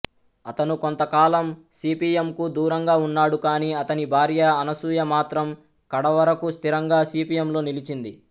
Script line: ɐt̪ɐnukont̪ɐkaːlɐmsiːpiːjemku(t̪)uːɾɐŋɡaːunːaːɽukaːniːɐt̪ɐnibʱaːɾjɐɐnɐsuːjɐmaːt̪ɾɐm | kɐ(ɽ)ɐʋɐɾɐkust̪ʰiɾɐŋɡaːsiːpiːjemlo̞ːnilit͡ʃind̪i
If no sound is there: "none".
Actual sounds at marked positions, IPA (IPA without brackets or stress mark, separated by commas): d̪, ɽ